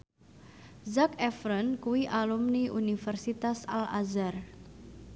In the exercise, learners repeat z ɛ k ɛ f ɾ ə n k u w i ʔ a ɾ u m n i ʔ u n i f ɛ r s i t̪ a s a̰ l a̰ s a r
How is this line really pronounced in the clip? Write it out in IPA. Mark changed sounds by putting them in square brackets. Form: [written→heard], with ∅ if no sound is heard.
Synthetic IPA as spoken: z [ɛ→a] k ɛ f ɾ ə n k u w i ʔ a [ɾ→l] u m n i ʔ u n i f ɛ r s i t̪ a s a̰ l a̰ [s→z] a r